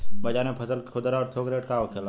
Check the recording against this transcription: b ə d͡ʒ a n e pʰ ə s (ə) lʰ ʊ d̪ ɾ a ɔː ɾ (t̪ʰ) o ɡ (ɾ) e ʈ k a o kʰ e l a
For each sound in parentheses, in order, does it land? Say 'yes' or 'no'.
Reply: yes, yes, yes

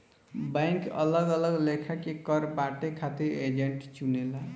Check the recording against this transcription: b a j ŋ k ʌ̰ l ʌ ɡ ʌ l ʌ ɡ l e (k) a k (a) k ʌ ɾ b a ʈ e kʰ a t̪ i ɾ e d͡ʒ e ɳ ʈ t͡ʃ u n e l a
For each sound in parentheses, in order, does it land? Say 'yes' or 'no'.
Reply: no, no

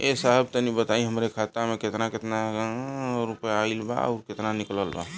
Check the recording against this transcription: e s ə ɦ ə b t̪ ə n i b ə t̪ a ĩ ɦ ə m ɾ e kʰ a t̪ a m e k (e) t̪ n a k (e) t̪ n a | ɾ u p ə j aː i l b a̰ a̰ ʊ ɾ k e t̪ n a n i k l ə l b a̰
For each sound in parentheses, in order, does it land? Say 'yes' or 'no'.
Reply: yes, yes

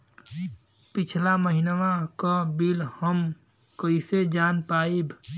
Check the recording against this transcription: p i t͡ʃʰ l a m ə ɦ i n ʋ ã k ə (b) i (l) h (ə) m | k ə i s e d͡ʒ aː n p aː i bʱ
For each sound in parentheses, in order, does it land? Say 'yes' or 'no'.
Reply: yes, yes, yes

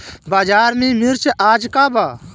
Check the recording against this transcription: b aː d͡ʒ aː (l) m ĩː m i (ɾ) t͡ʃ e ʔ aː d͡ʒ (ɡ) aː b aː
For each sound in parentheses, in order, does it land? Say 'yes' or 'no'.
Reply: no, yes, no

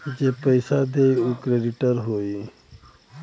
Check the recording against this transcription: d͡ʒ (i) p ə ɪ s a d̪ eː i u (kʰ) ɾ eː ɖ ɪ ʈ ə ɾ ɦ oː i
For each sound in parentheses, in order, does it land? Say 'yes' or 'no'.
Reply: no, no

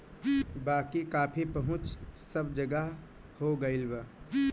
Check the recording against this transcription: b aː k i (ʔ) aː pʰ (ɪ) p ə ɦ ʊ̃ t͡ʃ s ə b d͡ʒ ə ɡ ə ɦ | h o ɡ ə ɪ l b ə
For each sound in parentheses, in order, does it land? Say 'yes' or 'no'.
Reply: no, no

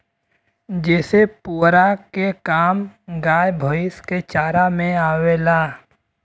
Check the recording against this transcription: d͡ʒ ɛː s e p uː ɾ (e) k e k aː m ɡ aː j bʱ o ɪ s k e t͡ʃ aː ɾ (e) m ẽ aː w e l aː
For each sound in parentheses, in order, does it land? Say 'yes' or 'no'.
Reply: no, no

